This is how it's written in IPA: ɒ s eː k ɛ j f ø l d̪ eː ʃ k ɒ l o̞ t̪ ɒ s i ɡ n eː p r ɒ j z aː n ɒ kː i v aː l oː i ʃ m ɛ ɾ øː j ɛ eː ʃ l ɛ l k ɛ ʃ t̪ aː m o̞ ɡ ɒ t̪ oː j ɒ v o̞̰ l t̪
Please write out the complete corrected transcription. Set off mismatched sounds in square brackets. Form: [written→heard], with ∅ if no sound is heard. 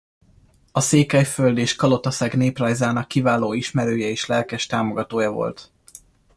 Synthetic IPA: ɒ s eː k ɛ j f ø l d̪ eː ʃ k ɒ l o̞ t̪ ɒ s [i→ɛ] ɡ n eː p r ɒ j z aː n ɒ kː i v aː l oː i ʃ m ɛ ɾ øː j ɛ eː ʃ l ɛ l k ɛ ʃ t̪ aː m o̞ ɡ ɒ t̪ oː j ɒ v o̞̰ l t̪